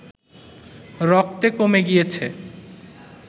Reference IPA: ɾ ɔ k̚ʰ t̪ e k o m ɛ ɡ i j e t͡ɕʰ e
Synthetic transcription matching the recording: ɾ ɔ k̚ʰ t̪ e k o m e ɡ i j e t͡ɕʰ e